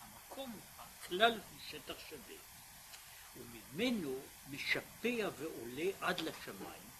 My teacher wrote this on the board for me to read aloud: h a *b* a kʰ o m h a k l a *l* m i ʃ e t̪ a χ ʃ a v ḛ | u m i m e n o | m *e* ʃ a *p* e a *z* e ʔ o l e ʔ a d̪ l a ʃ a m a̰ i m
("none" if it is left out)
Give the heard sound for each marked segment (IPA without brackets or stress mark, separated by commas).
m, l, e, p, v